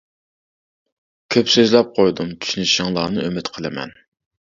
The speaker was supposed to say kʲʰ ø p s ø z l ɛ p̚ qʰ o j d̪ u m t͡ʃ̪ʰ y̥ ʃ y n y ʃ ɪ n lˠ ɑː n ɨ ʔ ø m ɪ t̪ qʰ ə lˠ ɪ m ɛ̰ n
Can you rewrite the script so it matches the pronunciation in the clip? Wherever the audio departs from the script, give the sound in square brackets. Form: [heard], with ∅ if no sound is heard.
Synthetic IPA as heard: kʲʰ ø p s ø z l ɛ p̚ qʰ o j d̪ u m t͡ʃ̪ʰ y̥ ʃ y n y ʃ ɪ [ŋ] lˠ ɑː n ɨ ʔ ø m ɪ t̪ qʰ ə lˠ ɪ m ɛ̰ n